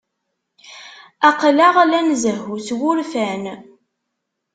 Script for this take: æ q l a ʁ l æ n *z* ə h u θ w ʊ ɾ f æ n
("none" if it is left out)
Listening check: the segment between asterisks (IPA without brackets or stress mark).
z